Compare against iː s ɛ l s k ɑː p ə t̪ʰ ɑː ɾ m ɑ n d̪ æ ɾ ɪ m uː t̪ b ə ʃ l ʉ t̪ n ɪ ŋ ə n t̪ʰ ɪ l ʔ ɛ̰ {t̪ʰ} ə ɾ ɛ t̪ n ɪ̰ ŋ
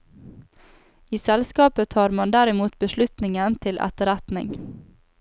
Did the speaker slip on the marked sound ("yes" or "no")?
yes